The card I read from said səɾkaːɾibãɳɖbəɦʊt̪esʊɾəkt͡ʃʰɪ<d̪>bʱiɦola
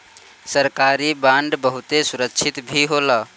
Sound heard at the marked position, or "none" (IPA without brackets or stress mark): t̪